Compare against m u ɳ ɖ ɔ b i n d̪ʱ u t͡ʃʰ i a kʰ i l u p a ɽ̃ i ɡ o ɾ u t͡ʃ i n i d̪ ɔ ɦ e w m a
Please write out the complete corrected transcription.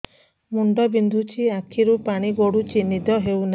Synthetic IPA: m u ɳ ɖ ɔ b i n d̪ʱ u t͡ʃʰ i a kʰ i ɾ u p a ɽ̃ i ɡ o ɽ u t͡ʃ i n i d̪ ɔ ɦ e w n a